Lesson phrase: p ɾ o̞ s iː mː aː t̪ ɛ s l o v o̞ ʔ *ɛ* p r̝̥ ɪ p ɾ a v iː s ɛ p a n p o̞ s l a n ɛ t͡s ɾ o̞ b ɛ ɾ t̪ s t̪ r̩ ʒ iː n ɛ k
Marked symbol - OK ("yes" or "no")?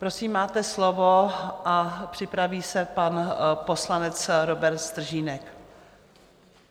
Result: no